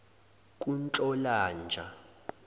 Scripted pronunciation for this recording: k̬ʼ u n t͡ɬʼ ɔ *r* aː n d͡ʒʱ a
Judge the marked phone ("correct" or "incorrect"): incorrect